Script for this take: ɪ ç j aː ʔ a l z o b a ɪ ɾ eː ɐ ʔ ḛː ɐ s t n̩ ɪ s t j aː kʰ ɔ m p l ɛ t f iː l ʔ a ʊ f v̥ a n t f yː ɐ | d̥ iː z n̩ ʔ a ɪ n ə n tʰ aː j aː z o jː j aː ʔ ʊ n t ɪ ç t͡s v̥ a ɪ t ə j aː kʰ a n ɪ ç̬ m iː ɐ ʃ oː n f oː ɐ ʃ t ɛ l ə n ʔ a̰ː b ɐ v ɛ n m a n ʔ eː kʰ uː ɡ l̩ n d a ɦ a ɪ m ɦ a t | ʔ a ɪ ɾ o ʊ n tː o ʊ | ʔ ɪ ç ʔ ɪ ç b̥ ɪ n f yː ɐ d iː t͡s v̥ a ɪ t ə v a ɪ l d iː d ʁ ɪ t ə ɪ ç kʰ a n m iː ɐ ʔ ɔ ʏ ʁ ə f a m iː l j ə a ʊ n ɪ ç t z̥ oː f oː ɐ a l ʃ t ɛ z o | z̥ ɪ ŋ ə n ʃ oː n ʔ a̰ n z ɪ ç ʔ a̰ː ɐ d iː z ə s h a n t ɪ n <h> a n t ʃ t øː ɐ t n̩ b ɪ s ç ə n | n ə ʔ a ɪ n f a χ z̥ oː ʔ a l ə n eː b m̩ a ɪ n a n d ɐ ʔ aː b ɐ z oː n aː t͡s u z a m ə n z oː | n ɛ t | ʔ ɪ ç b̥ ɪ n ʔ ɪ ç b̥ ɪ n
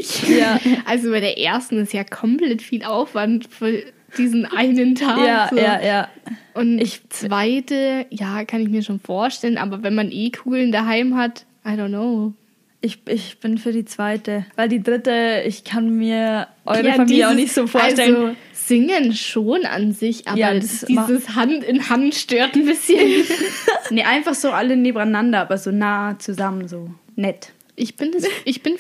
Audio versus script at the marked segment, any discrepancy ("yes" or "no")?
no